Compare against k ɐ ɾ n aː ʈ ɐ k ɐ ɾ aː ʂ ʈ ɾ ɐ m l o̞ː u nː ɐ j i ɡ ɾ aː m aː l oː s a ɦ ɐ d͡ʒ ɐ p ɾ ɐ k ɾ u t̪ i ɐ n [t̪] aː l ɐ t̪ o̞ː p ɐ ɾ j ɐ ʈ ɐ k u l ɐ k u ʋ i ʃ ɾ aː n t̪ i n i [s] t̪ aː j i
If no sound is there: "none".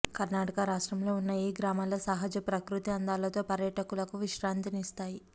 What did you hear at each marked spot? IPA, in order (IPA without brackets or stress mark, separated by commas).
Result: d̪, s